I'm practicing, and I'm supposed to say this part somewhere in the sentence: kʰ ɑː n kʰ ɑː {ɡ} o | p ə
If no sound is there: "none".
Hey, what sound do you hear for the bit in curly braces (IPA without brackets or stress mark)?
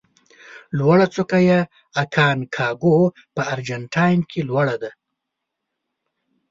ɡ